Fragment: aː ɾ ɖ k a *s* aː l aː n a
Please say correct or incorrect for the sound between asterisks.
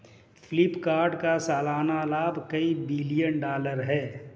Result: correct